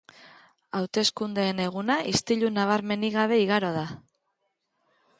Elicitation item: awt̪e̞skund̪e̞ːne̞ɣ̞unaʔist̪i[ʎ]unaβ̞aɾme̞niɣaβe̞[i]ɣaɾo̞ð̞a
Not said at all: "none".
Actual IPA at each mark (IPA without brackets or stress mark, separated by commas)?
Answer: ʎ, i